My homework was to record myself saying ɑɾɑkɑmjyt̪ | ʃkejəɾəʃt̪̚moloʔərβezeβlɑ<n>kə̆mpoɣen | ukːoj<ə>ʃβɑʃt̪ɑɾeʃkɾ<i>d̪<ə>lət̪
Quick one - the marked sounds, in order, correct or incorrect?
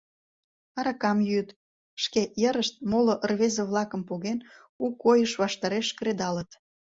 incorrect: none, correct, incorrect: e, incorrect: ɑ

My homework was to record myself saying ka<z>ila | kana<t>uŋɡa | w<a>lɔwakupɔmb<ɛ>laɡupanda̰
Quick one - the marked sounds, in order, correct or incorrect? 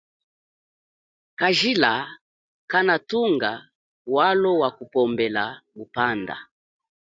incorrect: ʒ, correct, correct, correct

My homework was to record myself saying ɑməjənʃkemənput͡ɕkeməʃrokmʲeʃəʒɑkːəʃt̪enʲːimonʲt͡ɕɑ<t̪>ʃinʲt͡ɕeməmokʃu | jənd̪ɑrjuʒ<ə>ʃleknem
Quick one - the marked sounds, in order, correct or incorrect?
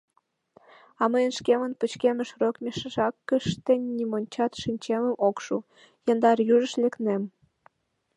correct, correct

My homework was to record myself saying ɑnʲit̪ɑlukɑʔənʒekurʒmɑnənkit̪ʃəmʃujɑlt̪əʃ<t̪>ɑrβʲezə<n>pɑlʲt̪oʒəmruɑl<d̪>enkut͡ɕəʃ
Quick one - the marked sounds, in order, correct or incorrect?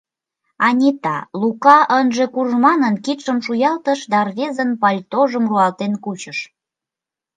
incorrect: d̪, correct, incorrect: t̪

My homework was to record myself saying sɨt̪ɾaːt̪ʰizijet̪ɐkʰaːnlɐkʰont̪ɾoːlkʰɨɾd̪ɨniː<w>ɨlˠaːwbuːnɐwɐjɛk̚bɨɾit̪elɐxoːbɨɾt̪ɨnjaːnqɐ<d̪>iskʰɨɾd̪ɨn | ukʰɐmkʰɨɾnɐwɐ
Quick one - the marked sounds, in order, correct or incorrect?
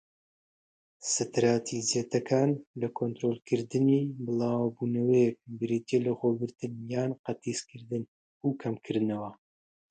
incorrect: b, incorrect: t̪

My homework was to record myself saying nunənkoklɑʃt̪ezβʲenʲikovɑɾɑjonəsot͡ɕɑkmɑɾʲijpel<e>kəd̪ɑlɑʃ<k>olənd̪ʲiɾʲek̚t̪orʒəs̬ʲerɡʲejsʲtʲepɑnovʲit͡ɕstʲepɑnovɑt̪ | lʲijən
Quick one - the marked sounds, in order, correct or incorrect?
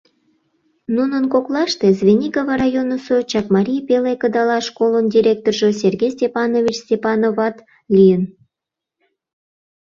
correct, correct

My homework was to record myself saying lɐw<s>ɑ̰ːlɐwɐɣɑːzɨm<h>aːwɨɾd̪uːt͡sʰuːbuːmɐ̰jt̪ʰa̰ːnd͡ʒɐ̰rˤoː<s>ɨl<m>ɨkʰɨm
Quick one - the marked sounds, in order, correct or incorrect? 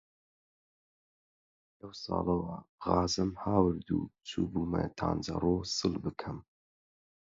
correct, correct, correct, incorrect: b

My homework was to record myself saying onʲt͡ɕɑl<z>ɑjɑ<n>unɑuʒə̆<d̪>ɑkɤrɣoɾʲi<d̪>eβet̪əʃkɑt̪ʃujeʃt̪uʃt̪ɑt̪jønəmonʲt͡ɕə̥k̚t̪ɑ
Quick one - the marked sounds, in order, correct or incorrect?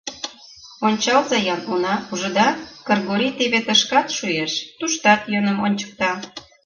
correct, correct, correct, incorrect: t̪

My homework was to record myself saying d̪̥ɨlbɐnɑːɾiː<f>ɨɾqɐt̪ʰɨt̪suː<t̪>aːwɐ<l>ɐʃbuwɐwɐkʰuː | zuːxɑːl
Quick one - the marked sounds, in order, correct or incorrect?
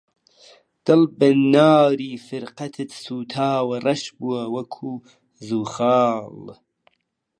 correct, incorrect: t̪ʰ, incorrect: r

